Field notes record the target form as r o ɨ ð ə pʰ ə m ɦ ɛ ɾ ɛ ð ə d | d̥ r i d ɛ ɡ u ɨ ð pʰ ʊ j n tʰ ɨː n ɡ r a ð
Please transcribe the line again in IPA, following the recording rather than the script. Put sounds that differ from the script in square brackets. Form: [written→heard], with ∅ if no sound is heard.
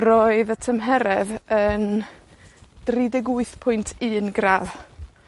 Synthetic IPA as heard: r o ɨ ð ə [pʰ→tʰ] ə m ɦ ɛ ɾ ɛ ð ə [d→n] | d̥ r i d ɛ ɡ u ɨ [ð→θ] pʰ ʊ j n tʰ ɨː n ɡ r a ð